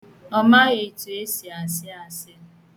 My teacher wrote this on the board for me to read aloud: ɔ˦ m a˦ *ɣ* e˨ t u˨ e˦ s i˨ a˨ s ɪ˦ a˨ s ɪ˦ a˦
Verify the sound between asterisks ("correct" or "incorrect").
correct